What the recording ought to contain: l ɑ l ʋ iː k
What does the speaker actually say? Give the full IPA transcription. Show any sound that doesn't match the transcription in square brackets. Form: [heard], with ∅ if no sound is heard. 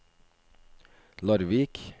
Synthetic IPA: l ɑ [ɾ] ʋ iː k